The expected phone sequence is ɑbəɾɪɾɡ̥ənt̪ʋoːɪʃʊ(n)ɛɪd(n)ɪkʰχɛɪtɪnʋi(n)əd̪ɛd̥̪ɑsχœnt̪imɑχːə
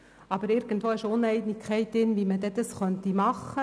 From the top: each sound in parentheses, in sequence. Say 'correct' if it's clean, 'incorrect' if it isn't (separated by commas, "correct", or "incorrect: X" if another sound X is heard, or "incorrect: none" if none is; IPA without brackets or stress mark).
correct, correct, incorrect: m